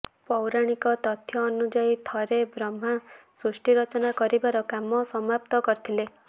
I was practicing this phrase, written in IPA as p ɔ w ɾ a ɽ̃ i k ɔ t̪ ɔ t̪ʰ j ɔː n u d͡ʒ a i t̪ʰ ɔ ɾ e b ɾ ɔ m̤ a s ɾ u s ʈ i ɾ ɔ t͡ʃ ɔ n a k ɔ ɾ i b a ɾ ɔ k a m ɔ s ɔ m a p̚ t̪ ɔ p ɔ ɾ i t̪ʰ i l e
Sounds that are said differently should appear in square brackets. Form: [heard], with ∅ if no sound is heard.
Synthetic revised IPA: p ɔ w ɾ a ɽ̃ i k ɔ t̪ ɔ t̪ʰ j ɔː n u d͡ʒ a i t̪ʰ ɔ ɾ e b ɾ ɔ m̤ a s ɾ u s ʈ i ɾ ɔ t͡ʃ ɔ n a k ɔ ɾ i b a ɾ ɔ k a m ɔ s ɔ m a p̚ t̪ ɔ [k] ɔ ɾ i t̪ʰ i l e